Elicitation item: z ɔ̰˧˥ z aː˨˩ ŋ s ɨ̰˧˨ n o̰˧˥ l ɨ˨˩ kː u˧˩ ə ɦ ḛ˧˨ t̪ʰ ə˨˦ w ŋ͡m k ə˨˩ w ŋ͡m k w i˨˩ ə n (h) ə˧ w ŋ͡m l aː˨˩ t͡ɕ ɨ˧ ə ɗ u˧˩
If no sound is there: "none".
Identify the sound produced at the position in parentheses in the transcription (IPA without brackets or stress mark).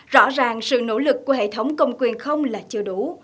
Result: x